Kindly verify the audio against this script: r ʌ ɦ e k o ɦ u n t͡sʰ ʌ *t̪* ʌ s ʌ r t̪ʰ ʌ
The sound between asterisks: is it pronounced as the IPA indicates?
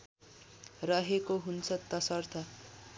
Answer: yes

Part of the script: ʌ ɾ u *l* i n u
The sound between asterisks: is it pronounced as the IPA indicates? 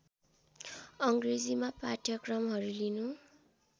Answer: yes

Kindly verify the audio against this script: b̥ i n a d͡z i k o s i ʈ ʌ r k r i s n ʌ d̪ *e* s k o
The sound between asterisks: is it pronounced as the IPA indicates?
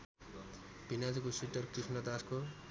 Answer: no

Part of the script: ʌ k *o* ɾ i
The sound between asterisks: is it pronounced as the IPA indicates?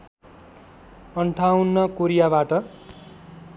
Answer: yes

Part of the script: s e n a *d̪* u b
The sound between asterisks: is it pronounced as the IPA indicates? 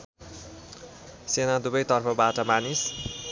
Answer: yes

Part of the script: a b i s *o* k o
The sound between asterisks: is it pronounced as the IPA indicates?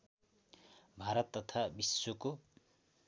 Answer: yes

